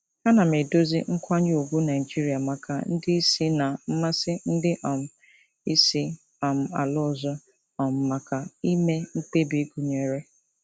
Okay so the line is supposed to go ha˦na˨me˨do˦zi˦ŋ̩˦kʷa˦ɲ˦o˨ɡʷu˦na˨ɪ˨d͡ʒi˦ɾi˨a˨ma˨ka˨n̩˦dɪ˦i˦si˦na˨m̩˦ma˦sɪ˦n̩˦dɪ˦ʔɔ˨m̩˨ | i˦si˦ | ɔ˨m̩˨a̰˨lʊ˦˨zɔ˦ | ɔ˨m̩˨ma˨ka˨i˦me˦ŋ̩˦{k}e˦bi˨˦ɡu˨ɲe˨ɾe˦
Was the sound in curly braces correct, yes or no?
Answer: no